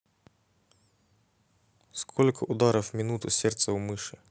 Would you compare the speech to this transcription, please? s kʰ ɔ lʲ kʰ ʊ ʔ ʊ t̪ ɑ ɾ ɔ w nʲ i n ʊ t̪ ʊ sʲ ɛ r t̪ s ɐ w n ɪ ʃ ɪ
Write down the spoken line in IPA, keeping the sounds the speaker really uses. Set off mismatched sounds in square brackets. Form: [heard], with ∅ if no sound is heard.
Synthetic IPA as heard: s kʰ ɔ lʲ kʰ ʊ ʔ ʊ [d̪] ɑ ɾ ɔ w [mʲ] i n [u] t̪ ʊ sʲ ɛ r t̪ s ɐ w [m] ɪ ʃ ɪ